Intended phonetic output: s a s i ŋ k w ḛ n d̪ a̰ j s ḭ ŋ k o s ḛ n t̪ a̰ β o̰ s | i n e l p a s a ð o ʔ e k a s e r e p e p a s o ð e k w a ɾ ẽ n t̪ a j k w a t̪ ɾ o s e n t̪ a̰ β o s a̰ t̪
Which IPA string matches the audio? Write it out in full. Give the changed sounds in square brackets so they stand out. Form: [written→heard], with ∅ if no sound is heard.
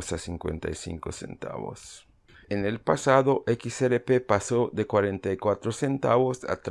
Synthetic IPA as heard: s a s i ŋ k w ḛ n [d̪→t̪] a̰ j s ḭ ŋ k o s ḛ n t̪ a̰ β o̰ s | [i→e] n e l p a s a ð o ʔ e k [a→i] s e [r→ɾ] e p e p a s o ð e k w a ɾ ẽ n t̪ a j k w a t̪ ɾ o s e n t̪ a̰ β o s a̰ t̪